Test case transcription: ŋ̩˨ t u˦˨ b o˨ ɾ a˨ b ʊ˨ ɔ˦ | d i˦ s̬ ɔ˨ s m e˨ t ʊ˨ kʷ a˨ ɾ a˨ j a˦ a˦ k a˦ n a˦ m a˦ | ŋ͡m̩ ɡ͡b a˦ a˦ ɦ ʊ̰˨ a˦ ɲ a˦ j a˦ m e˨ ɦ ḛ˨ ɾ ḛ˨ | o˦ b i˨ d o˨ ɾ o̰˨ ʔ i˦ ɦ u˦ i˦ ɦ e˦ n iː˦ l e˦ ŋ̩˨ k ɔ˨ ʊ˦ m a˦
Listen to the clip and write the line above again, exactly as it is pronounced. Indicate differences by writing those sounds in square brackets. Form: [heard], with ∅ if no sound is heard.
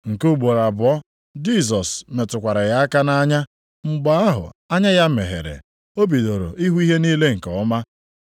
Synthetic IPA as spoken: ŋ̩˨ [k] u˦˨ [ɡ͡b] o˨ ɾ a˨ b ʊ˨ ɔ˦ | [d͡ʒ] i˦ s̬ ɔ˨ s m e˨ t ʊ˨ kʷ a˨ ɾ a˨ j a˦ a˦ k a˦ n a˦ [ɲ] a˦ | ŋ͡m̩ ɡ͡b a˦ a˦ ɦ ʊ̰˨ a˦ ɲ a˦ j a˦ m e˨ ɦ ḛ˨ ɾ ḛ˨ | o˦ b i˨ d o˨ ɾ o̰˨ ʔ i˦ ɦ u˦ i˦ ɦ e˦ n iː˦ l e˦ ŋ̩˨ k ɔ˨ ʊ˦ m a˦